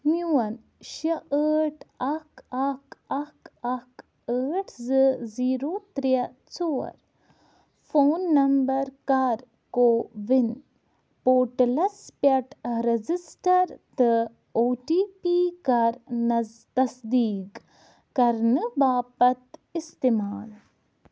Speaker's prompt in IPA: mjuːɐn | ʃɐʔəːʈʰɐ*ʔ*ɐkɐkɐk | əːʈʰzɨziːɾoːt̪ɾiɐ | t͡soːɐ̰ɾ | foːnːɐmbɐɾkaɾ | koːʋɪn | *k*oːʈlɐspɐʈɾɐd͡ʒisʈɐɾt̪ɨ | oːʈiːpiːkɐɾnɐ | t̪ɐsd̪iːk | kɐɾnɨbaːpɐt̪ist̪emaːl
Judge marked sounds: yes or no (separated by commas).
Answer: no, no